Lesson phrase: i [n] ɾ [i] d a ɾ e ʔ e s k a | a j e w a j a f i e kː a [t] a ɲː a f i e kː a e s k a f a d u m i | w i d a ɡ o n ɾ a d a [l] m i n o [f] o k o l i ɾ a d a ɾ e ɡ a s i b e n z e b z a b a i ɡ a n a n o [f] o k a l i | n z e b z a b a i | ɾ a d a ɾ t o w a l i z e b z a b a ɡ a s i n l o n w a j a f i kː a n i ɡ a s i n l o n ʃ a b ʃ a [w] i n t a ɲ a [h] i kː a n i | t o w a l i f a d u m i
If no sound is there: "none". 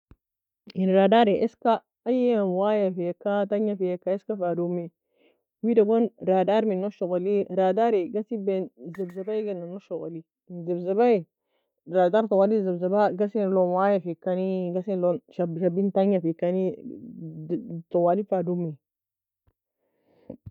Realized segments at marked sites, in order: n, a, t, ɾ, ʃ, ʃ, b, f

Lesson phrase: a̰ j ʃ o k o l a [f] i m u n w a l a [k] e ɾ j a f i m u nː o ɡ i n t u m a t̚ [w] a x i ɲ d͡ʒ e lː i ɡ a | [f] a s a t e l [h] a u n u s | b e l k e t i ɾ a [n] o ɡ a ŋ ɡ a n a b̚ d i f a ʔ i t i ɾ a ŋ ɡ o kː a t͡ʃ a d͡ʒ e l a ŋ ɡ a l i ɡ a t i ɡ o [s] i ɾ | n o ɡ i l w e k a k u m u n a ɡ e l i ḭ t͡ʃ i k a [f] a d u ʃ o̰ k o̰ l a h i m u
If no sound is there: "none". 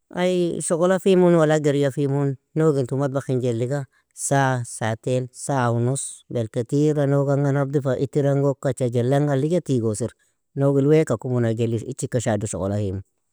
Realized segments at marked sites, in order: f, ɡ, b, s, s, n, s, ʃ

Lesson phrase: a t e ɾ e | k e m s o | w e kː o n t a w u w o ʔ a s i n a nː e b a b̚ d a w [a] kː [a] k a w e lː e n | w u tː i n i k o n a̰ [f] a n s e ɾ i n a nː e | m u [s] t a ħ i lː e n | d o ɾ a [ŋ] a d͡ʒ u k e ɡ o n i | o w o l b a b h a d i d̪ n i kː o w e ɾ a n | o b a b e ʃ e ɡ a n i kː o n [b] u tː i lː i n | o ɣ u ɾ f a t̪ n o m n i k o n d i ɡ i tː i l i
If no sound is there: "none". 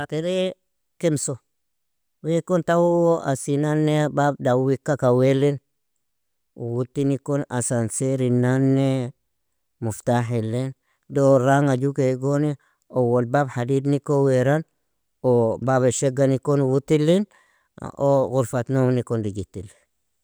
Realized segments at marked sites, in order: i, a, s, f, ŋ, w

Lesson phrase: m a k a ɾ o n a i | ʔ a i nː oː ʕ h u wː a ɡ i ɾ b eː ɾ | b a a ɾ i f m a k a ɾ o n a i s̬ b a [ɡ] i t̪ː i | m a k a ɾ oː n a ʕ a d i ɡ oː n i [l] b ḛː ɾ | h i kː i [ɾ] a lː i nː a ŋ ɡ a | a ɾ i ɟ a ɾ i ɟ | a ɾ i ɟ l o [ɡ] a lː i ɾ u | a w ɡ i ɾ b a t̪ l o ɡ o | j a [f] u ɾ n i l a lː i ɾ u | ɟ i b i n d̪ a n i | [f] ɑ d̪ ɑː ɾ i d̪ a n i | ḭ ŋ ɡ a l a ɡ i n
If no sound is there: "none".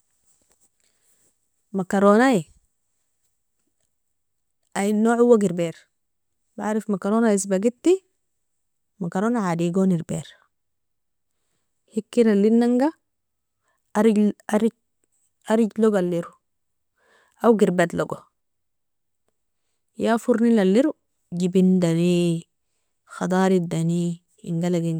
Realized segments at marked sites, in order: ɡ, ɾ, ɾ, ɡ, f, x

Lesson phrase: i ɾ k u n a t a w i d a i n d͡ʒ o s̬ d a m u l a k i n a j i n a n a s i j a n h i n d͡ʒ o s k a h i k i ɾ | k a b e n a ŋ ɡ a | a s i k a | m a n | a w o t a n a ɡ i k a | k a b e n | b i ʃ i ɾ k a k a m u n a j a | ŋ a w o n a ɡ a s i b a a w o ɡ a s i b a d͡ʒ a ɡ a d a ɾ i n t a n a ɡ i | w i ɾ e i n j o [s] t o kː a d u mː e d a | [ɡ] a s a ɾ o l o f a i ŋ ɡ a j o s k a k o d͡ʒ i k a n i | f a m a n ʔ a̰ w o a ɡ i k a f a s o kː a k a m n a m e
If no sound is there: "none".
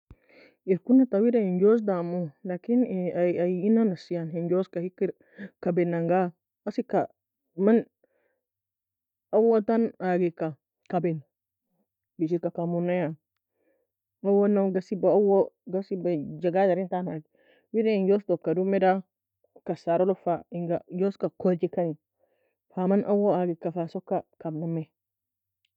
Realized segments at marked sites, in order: s, k

